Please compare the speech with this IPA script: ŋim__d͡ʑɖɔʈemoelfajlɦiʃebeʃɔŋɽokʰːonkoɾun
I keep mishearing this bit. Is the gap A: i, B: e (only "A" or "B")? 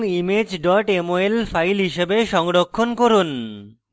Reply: B